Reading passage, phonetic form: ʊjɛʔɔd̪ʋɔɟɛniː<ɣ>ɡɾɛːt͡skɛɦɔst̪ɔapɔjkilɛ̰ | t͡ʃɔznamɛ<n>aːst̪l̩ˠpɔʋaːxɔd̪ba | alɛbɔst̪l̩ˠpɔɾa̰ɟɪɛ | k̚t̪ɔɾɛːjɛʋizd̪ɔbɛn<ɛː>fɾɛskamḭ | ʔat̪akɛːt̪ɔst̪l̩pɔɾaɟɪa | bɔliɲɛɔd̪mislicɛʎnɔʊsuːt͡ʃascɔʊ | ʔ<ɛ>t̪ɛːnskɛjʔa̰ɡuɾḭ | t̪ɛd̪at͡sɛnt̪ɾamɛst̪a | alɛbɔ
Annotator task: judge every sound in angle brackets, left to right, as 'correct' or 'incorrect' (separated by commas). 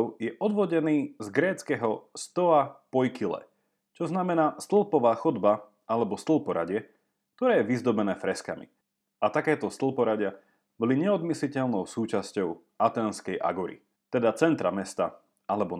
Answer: incorrect, correct, correct, incorrect